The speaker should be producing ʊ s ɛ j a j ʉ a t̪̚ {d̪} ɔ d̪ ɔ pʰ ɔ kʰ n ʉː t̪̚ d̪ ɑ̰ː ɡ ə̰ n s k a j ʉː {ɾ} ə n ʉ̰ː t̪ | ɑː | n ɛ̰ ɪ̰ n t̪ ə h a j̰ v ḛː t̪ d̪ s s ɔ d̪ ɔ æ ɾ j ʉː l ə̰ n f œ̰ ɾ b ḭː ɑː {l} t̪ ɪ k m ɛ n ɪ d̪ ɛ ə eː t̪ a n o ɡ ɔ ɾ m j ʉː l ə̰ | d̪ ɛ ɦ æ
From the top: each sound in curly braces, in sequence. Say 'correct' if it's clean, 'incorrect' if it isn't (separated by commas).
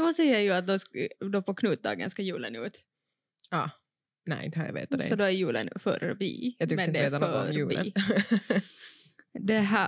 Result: correct, incorrect, incorrect